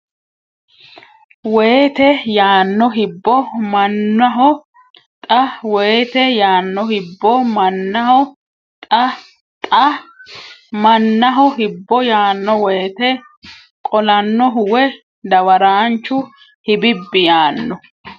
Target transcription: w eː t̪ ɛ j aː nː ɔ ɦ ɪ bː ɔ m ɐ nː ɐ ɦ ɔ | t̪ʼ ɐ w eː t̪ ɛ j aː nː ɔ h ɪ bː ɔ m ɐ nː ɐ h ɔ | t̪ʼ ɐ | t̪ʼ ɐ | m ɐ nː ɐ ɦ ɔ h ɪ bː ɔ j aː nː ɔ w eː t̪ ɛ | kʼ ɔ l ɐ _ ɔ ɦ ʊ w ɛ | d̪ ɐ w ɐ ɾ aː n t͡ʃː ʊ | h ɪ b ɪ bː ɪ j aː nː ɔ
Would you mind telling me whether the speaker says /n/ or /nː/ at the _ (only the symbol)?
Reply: nː